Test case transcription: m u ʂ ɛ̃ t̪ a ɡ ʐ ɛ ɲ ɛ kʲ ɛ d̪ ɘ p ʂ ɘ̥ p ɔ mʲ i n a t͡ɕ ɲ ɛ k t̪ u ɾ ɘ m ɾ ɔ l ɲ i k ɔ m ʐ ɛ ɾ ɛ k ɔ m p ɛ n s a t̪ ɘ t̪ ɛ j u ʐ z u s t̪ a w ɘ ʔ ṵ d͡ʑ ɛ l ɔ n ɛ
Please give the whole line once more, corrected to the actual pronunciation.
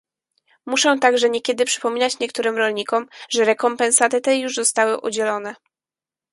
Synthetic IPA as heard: m u ʂ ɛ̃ t̪ a ɡ ʐ ɛ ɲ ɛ kʲ ɛ d̪ ɘ p ʂ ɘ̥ p ɔ mʲ i n a t͡ɕ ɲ ɛ k t̪ u ɾ ɘ m ɾ ɔ l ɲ i k ɔ m ʐ ɛ ɾ ɛ k ɔ m p ɛ n s a t̪ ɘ t̪ ɛ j u ʐ z ɔ s t̪ a w ɘ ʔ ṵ d͡ʑ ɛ l ɔ n ɛ